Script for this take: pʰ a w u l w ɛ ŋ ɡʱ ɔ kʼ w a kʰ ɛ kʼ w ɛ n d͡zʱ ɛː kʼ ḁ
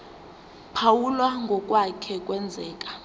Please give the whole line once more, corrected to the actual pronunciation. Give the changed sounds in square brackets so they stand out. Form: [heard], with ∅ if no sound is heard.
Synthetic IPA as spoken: pʰ a w u l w [a] ŋ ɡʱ ɔ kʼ w a kʰ ɛ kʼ w ɛ n d͡zʱ ɛː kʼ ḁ